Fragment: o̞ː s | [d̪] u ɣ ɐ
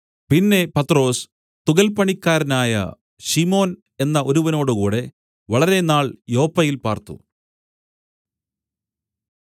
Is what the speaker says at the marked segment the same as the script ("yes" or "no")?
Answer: no